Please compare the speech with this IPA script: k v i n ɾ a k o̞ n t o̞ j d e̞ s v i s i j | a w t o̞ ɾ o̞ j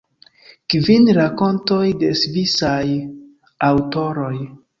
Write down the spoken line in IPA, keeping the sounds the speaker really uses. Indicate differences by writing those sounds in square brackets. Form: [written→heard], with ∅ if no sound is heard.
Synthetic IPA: k v i n ɾ a k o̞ n t o̞ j d e̞ s v i s [i→a] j | a w t o̞ ɾ o̞ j